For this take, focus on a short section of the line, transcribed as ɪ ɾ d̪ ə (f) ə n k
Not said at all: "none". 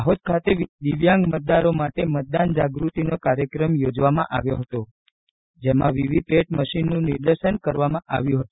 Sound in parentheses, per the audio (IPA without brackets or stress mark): ʃ